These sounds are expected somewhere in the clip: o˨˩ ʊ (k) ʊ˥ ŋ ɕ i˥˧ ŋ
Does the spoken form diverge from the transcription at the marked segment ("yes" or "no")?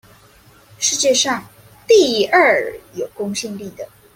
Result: no